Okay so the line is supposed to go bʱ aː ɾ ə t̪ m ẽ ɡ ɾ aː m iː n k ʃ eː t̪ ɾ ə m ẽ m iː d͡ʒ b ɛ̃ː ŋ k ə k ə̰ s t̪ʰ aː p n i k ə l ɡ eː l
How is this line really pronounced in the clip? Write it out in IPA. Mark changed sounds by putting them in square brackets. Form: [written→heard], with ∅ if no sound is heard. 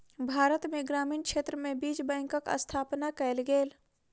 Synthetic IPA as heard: bʱ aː ɾ ə t̪ m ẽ ɡ ɾ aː m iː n k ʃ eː t̪ ɾ ə m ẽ [m→b] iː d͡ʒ b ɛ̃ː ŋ k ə k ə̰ s t̪ʰ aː p n [i→a] k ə l ɡ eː l